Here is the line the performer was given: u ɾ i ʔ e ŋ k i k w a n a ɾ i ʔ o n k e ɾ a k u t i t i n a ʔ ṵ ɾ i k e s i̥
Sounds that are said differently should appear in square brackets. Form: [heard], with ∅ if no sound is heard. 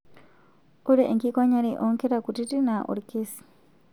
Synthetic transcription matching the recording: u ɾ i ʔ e ŋ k i k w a [ɲ] a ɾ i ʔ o [ŋ] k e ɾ a k u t i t i n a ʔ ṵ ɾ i k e s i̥